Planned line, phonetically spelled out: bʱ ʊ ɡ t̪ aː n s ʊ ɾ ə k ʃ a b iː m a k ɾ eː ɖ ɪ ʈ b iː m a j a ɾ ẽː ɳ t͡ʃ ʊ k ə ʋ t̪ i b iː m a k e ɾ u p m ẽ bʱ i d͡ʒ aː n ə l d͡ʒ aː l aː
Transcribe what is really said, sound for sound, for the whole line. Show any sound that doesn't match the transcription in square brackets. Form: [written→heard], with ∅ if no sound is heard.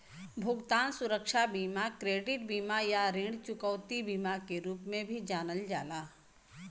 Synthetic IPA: bʱ ʊ ɡ t̪ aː n s ʊ ɾ ə k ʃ a b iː m a k ɾ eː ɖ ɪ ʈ b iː m a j a ɾ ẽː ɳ t͡ʃ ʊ k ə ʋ t̪ i b iː m a k e ɾ [u→uː] p m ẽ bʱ i d͡ʒ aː n ə l d͡ʒ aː l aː

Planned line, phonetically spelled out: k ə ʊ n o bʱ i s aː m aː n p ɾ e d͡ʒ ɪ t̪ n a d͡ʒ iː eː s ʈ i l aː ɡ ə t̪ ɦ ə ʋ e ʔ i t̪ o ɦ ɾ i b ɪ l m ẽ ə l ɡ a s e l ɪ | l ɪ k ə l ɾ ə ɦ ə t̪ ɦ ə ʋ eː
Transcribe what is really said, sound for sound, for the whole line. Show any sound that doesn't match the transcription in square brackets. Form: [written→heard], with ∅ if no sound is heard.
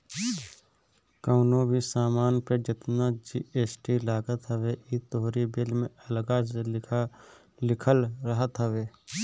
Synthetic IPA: k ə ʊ n o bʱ i s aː m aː n p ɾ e d͡ʒ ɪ t̪ n a d͡ʒ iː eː s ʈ i l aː ɡ ə t̪ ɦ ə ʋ e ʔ i t̪ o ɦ ɾ i b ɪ l m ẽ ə l ɡ a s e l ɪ | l ɪ [k→kʰ] ə l ɾ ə ɦ ə t̪ ɦ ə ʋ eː

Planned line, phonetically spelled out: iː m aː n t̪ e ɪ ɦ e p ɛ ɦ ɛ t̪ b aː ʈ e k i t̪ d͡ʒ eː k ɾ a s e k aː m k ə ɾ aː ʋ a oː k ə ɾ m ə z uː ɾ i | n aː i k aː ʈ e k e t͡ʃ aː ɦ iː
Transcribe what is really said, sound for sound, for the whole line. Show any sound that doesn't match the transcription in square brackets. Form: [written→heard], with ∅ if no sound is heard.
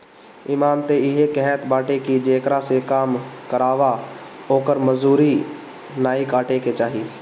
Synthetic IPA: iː m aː n t̪ e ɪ ɦ e [p→k] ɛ ɦ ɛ t̪ b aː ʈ e k i [t̪→∅] d͡ʒ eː k ɾ a s e k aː m k ə ɾ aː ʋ a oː k ə ɾ m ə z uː ɾ i | n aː i k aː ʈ e k e t͡ʃ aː ɦ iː

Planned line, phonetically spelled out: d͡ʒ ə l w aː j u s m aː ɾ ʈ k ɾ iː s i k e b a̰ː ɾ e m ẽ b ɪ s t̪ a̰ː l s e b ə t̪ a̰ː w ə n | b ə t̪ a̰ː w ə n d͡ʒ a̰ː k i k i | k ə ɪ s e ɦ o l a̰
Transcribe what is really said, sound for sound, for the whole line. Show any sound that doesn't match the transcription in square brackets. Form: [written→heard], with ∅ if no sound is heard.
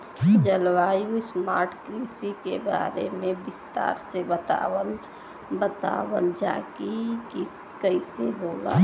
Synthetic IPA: d͡ʒ ə l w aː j u s m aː ɾ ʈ k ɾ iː s i k e b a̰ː ɾ e m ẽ b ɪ s t̪ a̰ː [l→ɾ] s e b ə t̪ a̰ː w ə n | b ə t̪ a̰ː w ə n d͡ʒ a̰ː k i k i | k ə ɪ s e ɦ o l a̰

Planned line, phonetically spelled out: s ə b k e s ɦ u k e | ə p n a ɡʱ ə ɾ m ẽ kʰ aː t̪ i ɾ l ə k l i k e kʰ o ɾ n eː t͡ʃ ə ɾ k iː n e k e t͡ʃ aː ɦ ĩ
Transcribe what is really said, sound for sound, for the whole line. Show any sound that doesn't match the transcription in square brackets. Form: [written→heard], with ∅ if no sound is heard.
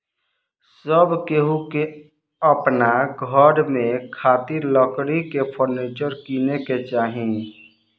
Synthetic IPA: s ə b k e [s→∅] ɦ u k e | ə p n a ɡʱ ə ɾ m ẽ kʰ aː t̪ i ɾ l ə k [l→ɽ] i k e [kʰ→pʰ] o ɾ n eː t͡ʃ ə ɾ k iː n e k e t͡ʃ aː ɦ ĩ

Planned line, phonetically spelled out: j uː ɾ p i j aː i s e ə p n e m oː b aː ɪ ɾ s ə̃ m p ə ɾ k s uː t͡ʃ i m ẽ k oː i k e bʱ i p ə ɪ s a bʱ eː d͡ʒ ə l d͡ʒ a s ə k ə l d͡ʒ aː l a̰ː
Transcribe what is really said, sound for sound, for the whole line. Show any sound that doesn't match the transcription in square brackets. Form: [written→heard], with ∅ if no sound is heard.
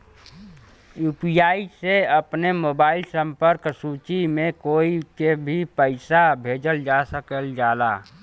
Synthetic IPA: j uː [ɾ→∅] p i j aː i s e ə p n e m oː b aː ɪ [ɾ→l] s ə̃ m p ə ɾ k s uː t͡ʃ i m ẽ k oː i k e bʱ i p ə ɪ s a bʱ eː d͡ʒ ə l d͡ʒ a s ə k ə l d͡ʒ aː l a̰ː

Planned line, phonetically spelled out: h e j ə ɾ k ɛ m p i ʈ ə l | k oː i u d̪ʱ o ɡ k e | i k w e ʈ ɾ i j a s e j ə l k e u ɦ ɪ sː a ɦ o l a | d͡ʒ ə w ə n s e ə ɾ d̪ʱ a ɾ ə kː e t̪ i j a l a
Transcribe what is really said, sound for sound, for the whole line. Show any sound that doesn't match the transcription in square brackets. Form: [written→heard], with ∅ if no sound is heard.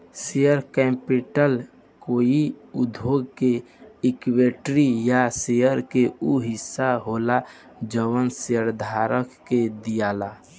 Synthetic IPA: [h→s] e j ə ɾ k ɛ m p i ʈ ə l | k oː i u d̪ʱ o ɡ k e | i k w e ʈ ɾ i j a s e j ə [l→ɾ] k e u ɦ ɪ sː a ɦ o l a | d͡ʒ ə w ə n s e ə ɾ d̪ʱ a ɾ ə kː e [t̪→d̪] i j a l a

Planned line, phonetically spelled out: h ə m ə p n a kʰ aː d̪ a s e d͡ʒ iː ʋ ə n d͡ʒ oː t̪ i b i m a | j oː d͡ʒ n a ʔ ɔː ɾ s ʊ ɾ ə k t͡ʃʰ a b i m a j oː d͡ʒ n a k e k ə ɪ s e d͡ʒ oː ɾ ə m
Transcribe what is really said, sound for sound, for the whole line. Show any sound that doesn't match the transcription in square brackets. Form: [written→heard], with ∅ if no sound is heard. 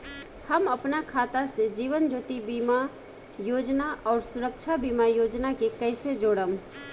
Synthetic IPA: h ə m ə p n a kʰ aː [d̪→t̪] a s e d͡ʒ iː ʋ ə n d͡ʒ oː t̪ i b i m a | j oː d͡ʒ n a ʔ ɔː ɾ s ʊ ɾ ə k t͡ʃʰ a b i m a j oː d͡ʒ n a k e k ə ɪ s e d͡ʒ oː [ɾ→ɽ] ə m

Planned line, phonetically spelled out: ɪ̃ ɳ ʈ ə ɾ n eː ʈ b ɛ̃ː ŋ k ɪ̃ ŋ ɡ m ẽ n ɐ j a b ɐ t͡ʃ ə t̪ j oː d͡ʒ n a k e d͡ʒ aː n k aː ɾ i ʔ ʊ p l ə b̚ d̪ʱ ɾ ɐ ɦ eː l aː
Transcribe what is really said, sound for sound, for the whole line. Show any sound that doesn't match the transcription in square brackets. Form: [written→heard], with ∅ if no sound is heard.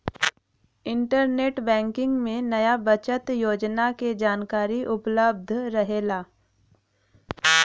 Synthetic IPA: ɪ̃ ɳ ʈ ə ɾ n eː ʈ b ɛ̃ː ŋ k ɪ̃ ŋ ɡ m ẽ n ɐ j a b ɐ t͡ʃ ə t̪ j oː d͡ʒ n a k e d͡ʒ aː n k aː ɾ i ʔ ʊ p l ə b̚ d̪ʱ ɾ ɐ ɦ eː l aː

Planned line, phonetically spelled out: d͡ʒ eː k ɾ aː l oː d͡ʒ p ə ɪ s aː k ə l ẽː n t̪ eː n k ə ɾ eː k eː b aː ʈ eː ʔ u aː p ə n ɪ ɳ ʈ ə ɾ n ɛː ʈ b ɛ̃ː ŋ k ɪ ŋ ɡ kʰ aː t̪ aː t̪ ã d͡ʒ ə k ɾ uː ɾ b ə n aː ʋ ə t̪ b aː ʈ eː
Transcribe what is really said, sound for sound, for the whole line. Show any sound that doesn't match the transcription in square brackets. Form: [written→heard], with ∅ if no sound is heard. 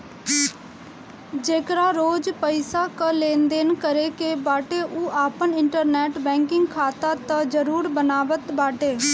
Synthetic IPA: d͡ʒ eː k ɾ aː [l→ɾ] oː d͡ʒ p ə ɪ s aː k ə l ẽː n [t̪→d̪] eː n k ə ɾ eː k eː b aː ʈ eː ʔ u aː p ə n ɪ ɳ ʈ ə ɾ n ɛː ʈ b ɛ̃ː ŋ k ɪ ŋ ɡ kʰ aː t̪ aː t̪ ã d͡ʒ ə [k→∅] ɾ uː ɾ b ə n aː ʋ ə t̪ b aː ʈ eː

